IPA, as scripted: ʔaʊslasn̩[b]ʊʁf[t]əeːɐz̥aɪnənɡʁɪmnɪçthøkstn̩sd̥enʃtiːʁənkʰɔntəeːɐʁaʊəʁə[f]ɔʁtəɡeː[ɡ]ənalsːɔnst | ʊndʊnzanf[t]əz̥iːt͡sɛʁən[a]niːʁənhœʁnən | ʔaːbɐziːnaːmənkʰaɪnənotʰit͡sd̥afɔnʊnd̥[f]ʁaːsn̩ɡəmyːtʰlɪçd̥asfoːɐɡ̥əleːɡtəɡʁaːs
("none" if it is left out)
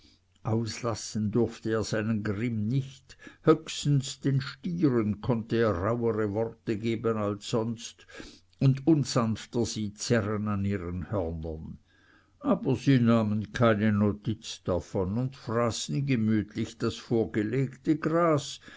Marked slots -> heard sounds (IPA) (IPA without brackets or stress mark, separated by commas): d, t, v, b, t, a, f